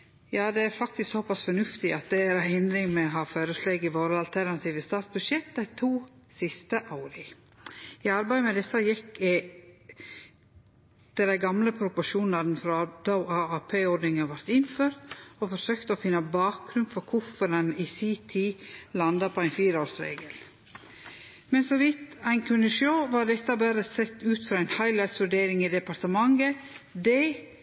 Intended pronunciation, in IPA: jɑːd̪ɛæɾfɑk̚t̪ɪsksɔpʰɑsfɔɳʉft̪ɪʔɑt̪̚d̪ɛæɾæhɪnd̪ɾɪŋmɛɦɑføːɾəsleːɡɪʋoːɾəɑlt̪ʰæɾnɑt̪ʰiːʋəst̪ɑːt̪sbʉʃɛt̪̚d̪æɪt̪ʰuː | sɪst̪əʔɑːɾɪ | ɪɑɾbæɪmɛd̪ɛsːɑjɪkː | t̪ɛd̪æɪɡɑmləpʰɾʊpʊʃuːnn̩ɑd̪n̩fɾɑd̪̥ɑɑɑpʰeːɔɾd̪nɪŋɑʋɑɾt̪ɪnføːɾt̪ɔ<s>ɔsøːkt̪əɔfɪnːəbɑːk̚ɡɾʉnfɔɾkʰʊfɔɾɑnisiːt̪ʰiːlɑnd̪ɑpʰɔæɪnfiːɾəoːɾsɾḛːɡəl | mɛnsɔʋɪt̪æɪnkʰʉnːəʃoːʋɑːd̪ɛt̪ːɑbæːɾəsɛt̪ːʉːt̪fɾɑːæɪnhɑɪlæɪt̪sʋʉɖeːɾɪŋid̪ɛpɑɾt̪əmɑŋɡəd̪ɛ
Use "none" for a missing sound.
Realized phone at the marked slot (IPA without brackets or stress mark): f